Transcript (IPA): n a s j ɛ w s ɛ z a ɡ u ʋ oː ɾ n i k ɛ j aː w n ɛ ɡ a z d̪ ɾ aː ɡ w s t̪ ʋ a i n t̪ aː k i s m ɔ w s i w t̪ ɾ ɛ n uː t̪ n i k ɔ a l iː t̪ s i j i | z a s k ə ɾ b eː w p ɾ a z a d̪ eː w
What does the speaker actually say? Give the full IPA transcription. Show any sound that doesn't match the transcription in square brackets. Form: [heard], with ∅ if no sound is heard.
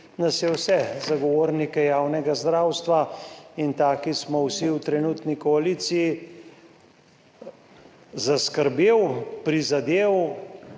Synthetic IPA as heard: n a s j ɛ w s ɛ z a ɡ [ɔ] ʋ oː ɾ n i k ɛ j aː w n ɛ ɡ a z d̪ ɾ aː [∅] w s t̪ ʋ a i n t̪ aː k i s m ɔ w s i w t̪ ɾ ɛ n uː t̪ n i k ɔ a l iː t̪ s i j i | z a s k ə ɾ b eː w p ɾ [i] z a d̪ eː w